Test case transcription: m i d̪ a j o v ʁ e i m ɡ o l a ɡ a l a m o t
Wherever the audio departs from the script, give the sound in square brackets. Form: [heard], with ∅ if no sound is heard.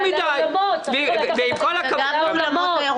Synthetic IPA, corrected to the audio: m i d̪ a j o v [v] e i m [k] o l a [k] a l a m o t

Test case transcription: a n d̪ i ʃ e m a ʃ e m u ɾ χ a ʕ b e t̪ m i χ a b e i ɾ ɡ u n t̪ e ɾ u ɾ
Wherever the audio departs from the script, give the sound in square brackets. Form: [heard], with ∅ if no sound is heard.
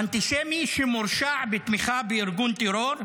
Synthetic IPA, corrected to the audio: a n [t̪] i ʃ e m [i] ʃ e m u ɾ [ʃ] a ʕ b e t̪ m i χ a b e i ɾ ɡ u n t̪ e ɾ [o] ɾ

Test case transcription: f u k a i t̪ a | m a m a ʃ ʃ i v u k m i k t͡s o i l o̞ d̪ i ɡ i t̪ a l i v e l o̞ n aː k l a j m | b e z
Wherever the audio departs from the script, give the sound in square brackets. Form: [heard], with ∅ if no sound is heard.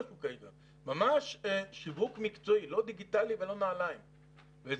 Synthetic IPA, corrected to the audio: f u k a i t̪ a | m a m a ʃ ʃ i v u k m i k t͡s o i l o̞ d̪ i ɡ i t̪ a l i v e l o̞ n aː [∅] l a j m | [v] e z

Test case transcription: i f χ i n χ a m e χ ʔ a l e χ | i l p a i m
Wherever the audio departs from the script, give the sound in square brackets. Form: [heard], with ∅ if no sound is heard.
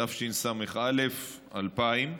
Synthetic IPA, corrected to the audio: [a] f [ʃ] i n [s] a m e χ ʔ a l e [f] | [a] l p a i m

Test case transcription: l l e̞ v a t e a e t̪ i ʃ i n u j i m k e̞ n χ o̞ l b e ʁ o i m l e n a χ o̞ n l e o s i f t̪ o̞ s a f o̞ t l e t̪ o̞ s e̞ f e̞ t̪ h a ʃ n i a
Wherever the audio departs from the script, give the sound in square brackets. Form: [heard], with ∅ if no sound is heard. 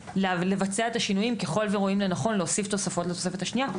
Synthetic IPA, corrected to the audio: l l e̞ v a [t͡s] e a e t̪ [a] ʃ i n u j i m k e̞ [∅] χ o̞ l [v] e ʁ o i m l e n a χ o̞ n l e o s i f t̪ o̞ s a f o̞ t l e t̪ o̞ s e̞ f e̞ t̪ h a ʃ n i a

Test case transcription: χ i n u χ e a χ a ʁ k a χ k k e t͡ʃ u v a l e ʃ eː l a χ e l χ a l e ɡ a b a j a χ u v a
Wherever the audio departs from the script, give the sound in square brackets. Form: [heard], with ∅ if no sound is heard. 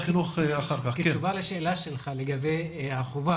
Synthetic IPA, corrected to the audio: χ i n u χ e a χ a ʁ k a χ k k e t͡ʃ u v a l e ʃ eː l a [ʃ] e l χ a l e ɡ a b [e] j a χ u v a

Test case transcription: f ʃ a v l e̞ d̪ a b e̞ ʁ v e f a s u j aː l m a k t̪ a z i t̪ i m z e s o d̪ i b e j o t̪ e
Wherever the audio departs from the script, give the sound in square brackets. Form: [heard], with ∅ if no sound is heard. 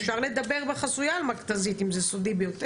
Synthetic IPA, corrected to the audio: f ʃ a [ʁ] l e̞ d̪ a b e̞ ʁ [b] e [χ] a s u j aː l m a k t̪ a z i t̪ i m z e s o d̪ i b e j o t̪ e

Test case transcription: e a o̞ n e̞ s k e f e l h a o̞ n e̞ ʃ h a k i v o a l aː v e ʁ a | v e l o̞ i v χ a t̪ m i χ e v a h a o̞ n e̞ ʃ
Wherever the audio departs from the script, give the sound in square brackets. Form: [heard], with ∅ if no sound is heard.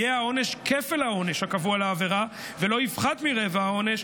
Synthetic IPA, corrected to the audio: e a o̞ n e̞ [ʃ] k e f e l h a o̞ n e̞ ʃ h a k [a] v [u] a l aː v e ʁ a | v e l o̞ i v χ a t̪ m i [ʁ] e v a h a o̞ n e̞ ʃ

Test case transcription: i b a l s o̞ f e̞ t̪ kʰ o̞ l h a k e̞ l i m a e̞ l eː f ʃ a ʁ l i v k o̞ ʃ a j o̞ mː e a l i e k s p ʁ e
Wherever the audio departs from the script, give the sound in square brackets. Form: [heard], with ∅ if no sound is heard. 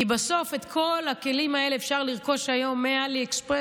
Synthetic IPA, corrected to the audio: i b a [∅] s o̞ f e̞ t̪ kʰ o̞ l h a k e̞ l i m a e̞ l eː f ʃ a ʁ l i [ʁ] k o̞ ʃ a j o̞ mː e a l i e k s p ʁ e

